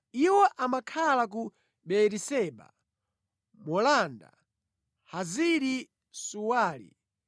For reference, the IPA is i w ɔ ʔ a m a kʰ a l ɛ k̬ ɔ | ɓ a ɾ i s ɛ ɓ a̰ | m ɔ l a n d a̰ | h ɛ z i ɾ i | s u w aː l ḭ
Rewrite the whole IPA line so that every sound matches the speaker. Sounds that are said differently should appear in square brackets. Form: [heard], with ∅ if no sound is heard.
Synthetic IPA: i w ɔ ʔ a m a kʰ a l [a] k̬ [u] | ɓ [ɛ] ɾ i s ɛ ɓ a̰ | m ɔ l a n d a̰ | h [a] z i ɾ i | s u w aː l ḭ